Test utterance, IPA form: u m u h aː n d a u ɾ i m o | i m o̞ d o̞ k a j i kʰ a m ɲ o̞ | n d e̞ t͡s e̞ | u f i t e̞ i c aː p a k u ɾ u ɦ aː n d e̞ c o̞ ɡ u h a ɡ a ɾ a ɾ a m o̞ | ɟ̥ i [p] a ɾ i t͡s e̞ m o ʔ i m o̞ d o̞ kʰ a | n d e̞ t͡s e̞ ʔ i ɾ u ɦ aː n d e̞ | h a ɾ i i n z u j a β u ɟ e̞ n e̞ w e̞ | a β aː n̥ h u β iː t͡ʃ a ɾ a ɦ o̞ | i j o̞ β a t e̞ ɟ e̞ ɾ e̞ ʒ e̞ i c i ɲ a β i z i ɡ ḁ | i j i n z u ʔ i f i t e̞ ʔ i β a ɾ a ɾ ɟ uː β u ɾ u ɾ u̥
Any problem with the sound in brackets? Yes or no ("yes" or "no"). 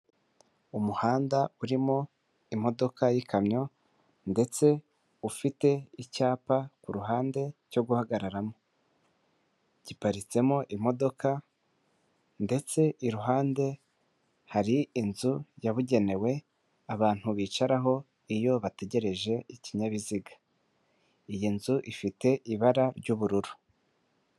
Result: no